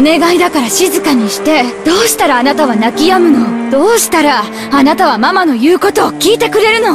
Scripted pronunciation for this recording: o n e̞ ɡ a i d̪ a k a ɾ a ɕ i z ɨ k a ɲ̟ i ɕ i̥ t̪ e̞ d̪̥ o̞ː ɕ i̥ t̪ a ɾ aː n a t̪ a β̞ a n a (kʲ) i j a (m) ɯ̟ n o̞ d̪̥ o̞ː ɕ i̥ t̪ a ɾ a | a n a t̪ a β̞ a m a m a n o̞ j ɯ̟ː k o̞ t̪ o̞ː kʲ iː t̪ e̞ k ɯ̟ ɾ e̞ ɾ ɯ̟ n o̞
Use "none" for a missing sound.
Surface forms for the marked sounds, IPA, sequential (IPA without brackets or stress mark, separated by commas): kʲ, m